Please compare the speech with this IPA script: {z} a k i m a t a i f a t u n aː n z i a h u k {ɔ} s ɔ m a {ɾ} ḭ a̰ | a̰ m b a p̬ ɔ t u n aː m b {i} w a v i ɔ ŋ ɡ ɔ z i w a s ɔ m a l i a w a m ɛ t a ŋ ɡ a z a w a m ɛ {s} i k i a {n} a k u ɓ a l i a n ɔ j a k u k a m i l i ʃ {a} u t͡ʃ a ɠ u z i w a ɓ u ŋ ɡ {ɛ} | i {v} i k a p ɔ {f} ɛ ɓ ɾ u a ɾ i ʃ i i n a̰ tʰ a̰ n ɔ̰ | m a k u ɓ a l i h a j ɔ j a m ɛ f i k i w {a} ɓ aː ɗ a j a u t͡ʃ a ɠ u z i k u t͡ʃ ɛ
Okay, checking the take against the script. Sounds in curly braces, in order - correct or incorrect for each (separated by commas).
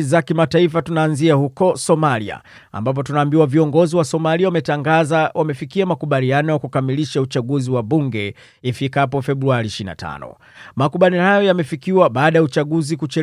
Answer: correct, correct, incorrect, correct, incorrect, incorrect, correct, correct, incorrect, correct, correct